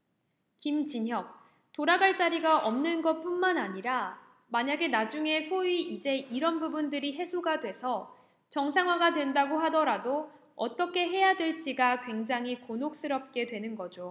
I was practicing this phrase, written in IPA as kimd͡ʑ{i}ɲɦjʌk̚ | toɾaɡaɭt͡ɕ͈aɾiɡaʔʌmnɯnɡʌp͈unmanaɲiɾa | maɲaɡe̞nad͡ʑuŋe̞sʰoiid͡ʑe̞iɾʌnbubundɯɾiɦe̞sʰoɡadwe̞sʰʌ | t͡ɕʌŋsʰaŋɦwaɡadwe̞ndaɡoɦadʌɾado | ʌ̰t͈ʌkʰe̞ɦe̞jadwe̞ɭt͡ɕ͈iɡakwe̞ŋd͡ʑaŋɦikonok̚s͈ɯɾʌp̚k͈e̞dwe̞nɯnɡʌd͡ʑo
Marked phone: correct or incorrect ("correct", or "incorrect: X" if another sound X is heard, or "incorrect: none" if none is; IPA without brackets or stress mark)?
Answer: correct